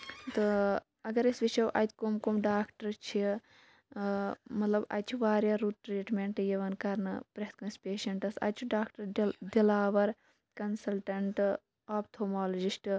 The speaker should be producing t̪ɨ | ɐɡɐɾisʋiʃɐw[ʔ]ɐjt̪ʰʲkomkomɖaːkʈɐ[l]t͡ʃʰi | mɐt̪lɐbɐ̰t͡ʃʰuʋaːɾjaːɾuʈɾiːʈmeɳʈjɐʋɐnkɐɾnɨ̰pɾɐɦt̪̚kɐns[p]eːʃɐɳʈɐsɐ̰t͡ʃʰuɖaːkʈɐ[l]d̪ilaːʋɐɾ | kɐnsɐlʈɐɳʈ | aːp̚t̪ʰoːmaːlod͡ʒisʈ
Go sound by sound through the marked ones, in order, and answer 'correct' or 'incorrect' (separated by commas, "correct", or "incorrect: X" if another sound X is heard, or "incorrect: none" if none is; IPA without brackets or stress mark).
correct, incorrect: ɾ, correct, incorrect: ɾ